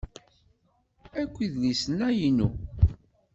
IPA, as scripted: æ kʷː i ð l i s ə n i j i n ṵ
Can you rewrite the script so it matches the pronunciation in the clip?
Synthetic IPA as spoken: æ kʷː i ð l i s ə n æ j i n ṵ